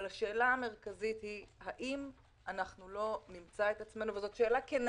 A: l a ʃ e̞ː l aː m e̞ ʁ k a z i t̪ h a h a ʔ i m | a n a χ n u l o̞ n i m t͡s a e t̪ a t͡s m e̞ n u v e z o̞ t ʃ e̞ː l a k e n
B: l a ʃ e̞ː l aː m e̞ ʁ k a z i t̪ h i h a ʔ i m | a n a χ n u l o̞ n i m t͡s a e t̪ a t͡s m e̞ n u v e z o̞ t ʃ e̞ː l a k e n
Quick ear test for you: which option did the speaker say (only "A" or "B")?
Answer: B